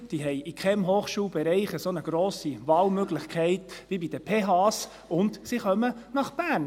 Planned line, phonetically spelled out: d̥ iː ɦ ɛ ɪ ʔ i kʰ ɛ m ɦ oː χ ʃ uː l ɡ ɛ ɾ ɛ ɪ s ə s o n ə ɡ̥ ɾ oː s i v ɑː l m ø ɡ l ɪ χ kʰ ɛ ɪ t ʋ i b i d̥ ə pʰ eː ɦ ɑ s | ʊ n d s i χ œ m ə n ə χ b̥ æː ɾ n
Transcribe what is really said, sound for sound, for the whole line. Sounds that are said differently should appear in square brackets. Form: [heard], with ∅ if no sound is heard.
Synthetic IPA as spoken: d̥ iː ɦ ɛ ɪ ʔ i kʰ ɛ m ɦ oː χ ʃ uː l [b] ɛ ɾ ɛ ɪ [χ] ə s o n ə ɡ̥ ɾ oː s i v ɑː l m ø ɡ l ɪ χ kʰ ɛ ɪ t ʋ i b i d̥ ə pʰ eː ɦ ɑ s | ʊ n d s i χ œ m ə n [ɑ] χ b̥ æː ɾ n